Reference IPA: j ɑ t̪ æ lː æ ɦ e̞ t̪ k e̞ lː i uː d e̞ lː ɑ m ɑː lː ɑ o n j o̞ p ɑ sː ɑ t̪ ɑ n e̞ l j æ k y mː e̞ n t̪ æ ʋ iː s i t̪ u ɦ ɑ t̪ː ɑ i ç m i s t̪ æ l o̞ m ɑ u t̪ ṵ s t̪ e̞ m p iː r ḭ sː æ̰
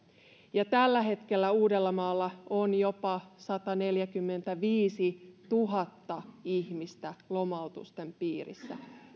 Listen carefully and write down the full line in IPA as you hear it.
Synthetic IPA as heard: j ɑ t̪ æ lː æ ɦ e̞ t̪ k e̞ lː æ uː d e̞ lː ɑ m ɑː lː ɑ o n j o̞ p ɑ s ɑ t̪ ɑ n e̞ l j æ k y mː e̞ n t̪ æ ʋ iː s i t̪ u ɦ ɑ t̪ː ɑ i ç m i s t̪ æ l o̞ m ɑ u t̪ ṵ s t̪ e̞ m p iː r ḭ sː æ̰